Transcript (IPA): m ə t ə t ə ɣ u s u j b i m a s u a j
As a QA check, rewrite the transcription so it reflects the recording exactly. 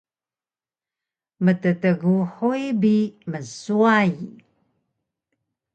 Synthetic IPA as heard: m ə t ə t ə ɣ u ħ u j b i m ə s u a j

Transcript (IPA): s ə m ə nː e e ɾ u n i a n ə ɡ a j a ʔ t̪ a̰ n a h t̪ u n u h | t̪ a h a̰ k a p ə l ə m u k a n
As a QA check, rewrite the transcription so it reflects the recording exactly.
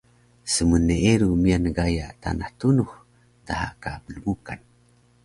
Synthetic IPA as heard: s ə m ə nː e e ɾ u m i a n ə ɡ a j a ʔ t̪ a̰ n a h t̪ u n u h | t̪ a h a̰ k a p ə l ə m u k a n

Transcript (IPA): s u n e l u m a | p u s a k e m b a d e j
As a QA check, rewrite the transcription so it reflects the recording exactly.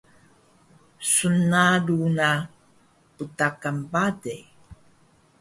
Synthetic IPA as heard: s u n a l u n a | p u t a k a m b a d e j

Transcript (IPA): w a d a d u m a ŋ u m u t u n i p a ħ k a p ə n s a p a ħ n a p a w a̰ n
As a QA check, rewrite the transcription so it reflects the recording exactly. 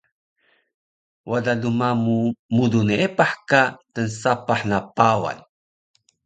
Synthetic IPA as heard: w a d a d u m a m u m u d u n e p a ħ k a t ə n s a p a ħ n a p a w a̰ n

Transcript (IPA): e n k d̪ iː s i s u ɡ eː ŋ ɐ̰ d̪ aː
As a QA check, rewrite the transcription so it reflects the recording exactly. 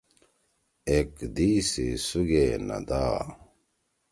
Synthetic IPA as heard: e k d̪ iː s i s u ɡ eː n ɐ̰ d̪ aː

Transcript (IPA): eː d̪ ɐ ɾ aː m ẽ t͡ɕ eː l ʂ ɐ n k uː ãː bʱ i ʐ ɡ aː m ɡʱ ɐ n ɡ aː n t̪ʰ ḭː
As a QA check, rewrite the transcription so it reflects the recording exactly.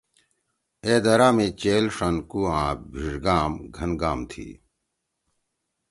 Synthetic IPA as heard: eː d̪ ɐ ɾ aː m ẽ t͡ɕ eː l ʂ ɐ n k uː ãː bʱ i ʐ ɡ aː m ɡʱ ɐ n ɡ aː m t̪ʰ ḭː

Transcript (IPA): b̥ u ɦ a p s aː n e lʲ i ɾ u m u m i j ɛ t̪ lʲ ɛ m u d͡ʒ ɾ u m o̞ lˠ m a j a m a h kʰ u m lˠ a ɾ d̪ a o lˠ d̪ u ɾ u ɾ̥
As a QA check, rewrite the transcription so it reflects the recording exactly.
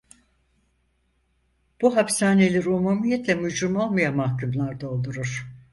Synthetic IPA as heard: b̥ u ɦ a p s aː n e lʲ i ɾ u m u m i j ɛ t̪ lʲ ɛ m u d͡ʒ ɾ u m o̞ lˠ m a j a m a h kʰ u m lˠ a ɾ d̪ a o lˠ d̪ u ɾ u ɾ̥

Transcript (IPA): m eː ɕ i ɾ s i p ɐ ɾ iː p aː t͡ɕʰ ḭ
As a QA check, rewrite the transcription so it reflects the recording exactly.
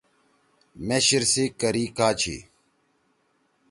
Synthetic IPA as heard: m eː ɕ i ɾ s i k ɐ ɾ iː k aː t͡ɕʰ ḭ

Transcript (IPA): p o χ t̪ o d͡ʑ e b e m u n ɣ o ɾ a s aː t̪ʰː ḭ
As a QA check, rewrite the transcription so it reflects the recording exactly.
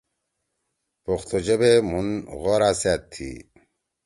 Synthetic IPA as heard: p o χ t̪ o d͡ʑ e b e m u n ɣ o ɾ a s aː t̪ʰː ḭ

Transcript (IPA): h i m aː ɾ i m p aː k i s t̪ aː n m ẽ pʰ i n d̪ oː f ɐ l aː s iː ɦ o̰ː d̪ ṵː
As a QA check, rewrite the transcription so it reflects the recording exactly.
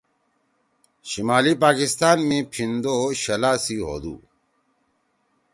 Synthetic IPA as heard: ɕ i m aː l i p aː k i s t̪ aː n m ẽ pʰ i n d̪ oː ɕ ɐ l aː s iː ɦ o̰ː d̪ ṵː

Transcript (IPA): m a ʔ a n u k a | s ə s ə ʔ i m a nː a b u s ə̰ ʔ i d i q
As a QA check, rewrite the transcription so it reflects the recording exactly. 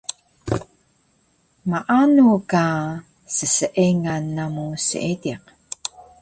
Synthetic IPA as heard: m a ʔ a n u k a | s ə s ə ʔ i ŋ a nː a m u s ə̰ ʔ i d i q

